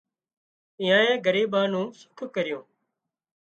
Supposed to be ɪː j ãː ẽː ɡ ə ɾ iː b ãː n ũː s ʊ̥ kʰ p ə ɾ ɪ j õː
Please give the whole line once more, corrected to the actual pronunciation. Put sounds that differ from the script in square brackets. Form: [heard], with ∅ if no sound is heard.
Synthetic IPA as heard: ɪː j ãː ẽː ɡ ə ɾ iː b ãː n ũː s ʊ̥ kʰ [k] ə ɾ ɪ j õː

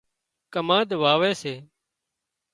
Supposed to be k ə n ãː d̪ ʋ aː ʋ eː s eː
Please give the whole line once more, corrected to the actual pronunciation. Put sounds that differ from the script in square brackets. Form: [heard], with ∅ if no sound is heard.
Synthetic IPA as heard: k ə [m] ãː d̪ ʋ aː ʋ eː s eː

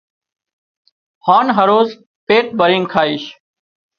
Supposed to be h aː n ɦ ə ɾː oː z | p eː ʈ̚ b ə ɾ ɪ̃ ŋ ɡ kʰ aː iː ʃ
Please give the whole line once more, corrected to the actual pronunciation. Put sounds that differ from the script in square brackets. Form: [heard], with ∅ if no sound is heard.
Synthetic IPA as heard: h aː n ɦ ə [ɾ] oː z | p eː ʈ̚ b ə ɾ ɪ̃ ŋ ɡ kʰ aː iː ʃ

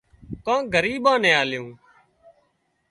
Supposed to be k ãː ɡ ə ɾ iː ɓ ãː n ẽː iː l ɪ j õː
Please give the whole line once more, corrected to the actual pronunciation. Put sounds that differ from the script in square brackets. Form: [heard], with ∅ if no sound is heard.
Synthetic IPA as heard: k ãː ɡ ə ɾ iː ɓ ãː n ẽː [aː] l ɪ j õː

